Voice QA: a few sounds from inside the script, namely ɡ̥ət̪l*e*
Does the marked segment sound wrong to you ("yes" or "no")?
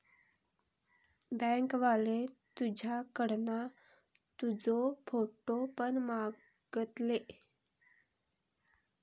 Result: no